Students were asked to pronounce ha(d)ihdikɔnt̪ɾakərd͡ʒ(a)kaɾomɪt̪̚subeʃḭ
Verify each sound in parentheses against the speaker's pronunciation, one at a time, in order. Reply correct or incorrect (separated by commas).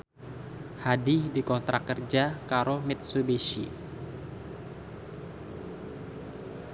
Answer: correct, correct